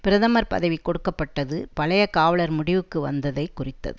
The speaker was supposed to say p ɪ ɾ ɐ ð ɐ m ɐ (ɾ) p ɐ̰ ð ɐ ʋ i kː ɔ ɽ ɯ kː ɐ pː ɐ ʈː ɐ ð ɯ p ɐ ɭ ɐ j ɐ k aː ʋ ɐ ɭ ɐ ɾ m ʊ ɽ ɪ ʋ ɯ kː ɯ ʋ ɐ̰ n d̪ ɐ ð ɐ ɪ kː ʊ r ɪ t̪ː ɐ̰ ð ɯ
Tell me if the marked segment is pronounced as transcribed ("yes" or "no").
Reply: yes